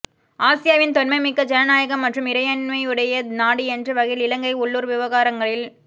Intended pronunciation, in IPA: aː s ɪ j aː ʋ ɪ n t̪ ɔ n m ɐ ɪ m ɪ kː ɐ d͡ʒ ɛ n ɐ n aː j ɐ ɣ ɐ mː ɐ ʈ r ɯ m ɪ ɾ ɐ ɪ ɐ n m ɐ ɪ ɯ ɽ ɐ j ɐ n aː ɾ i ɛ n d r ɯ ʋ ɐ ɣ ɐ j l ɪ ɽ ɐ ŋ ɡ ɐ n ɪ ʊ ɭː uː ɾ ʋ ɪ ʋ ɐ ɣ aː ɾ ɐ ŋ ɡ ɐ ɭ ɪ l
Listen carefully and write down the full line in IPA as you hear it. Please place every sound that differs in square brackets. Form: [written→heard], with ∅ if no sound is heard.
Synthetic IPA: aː s ɪ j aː ʋ ɪ n t̪ ɔ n m ɐ ɪ m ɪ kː ɐ d͡ʒ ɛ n ɐ n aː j ɐ ɣ ɐ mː ɐ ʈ r ɯ m ɪ ɾ ɐ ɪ ɐ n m ɐ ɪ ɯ ɽ ɐ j ɐ n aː [ɾ→ɽ] i ɛ n d r ɯ ʋ ɐ ɣ ɐ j l ɪ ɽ ɐ ŋ ɡ ɐ [n→∅] ɪ ʊ ɭː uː ɾ ʋ ɪ ʋ ɐ ɣ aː ɾ ɐ ŋ ɡ ɐ ɭ ɪ l